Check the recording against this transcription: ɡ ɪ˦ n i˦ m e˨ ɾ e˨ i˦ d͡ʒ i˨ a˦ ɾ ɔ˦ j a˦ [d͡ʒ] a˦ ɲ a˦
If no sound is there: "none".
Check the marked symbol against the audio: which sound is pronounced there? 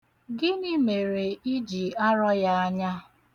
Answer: none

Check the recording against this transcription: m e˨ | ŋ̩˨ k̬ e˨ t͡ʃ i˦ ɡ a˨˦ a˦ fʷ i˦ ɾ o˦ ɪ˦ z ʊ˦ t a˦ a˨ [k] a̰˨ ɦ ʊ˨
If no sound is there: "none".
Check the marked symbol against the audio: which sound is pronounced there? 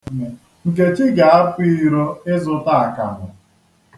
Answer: k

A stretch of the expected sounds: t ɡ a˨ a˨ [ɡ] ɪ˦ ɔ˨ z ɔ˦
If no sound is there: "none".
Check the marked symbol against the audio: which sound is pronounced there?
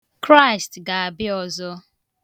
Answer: b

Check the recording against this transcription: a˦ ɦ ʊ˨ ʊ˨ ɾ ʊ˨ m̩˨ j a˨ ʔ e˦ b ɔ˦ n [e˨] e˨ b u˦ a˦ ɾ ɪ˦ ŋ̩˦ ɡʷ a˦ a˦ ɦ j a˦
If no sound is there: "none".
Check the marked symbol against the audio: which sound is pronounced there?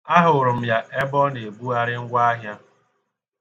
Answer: e˨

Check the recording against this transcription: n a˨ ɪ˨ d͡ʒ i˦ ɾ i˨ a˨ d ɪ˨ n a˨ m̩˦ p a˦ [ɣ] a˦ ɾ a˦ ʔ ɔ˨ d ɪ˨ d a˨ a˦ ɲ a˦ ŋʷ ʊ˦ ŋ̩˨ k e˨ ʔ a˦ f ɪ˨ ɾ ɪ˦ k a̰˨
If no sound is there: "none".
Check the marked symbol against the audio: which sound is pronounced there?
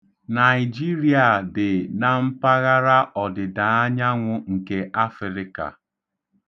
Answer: ɣ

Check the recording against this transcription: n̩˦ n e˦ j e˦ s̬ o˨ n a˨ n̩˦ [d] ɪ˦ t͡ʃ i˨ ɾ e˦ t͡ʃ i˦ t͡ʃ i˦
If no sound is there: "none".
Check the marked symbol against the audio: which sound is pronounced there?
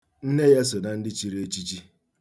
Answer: d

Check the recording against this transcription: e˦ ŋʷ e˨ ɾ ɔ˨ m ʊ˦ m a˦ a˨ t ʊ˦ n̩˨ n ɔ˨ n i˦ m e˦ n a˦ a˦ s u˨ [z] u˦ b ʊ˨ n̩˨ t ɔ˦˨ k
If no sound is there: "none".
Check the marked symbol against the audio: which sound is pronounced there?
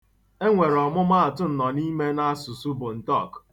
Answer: s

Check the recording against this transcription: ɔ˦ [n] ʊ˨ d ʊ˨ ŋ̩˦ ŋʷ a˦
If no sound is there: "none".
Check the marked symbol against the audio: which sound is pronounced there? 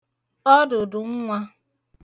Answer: d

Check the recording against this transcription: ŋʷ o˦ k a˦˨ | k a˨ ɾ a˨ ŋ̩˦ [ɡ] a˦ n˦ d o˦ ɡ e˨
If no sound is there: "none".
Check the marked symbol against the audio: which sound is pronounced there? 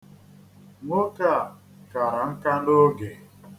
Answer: k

